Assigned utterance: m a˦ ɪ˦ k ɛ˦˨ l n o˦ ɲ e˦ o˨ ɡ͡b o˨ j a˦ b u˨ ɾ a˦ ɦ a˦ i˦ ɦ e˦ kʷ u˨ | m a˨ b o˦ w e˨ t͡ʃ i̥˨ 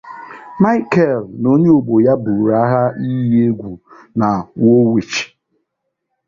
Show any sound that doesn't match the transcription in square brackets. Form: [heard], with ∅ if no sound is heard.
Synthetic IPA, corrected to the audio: m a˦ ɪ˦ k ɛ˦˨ l n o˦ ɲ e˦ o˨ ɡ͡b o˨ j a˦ b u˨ ɾ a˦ ɦ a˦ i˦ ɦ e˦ [ɡʷ] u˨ | [n] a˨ [w] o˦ w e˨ t͡ʃ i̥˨